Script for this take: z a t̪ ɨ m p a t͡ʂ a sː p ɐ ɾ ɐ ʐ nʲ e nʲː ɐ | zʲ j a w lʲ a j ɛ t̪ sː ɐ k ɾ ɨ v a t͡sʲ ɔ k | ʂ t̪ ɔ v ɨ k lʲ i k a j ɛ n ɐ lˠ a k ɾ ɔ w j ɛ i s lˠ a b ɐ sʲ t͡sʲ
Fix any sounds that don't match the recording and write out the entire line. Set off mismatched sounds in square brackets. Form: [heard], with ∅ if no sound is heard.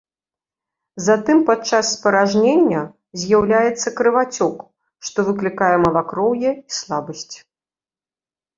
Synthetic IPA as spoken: z a t̪ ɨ m p a t͡ʂ a sː p ɐ ɾ [a] ʐ nʲ e nʲː ɐ | zʲ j a w lʲ a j ɛ t̪ sː ɐ k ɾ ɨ v a t͡sʲ ɔ k | ʂ t̪ ɔ v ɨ k lʲ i k a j ɛ [m] ɐ lˠ a k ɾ ɔ w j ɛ i s lˠ a b ɐ sʲ t͡sʲ